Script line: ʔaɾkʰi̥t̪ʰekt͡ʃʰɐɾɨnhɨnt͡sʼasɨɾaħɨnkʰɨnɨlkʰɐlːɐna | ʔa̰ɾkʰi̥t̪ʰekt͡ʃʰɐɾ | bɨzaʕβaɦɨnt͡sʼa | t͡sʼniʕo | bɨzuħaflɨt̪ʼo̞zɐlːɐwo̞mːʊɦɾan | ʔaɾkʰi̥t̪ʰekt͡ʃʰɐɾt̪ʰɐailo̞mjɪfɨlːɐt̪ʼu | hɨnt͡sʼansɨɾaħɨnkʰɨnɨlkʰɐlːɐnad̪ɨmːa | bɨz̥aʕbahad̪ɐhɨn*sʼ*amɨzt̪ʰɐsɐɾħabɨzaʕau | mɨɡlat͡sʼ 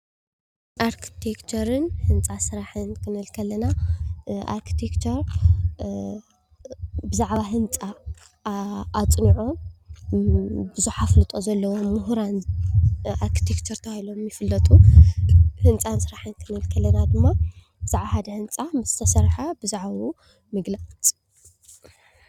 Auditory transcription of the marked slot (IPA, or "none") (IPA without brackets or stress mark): t͡sʼ